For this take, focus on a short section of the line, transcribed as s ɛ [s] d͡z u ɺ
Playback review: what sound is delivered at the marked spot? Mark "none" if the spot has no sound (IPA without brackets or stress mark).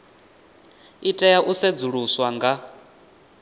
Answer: none